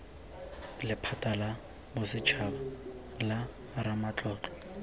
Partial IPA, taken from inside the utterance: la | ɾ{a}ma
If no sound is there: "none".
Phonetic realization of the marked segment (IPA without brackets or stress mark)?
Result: a